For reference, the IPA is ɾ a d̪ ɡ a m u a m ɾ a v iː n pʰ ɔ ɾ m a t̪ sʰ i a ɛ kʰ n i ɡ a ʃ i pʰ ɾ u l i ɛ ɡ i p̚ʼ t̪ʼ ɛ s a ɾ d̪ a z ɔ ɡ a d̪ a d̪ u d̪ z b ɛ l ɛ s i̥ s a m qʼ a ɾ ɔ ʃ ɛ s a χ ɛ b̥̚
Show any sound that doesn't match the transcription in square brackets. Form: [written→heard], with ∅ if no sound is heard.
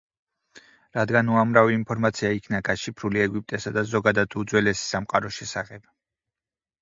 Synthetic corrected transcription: ɾ a d̪ ɡ a [m→n] u a m ɾ a v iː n pʰ ɔ ɾ m a t̪ sʰ i a [ɛ→i] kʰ n [i→a] ɡ a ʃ i pʰ ɾ u l i ɛ ɡ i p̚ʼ t̪ʼ ɛ s a [ɾ→∅] d̪ a z ɔ ɡ a d̪ a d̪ u d̪ z [b→w] ɛ l ɛ s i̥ s a m qʼ a ɾ ɔ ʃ ɛ s a χ ɛ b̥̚